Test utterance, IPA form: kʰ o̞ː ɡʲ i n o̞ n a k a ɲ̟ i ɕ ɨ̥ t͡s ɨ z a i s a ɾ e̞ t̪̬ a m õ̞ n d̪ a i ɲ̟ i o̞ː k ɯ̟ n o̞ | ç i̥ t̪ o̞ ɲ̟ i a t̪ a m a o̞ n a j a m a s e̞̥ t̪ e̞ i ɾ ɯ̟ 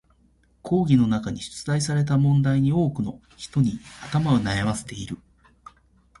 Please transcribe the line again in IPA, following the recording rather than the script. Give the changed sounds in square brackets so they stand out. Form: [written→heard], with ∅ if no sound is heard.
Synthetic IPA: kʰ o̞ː ɡʲ i n o̞ n a k a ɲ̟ i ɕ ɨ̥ t͡s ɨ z a i s a ɾ e̞ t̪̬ a m õ̞ n d̪ a i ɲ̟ i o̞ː k ɯ̟ n o̞ | ç i̥ t̪ o̞ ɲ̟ i a t̪ a m a o̞ n a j a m a s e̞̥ t̪ e̞ i ɾ ɯ̟